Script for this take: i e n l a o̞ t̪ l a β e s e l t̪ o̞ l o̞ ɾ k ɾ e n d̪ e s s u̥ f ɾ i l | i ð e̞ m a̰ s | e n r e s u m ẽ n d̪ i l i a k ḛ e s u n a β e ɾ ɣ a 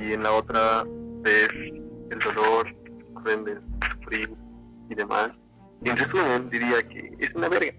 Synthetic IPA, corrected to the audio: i e n l a o̞ t̪ ɾ a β e s e l d̪ o̞ l o̞ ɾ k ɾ e n d̪ e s s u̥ f ɾ i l | i ð e̞ m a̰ s | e n r e s u m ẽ n d̪ i ɾ i a k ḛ e s u n a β e ɾ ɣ a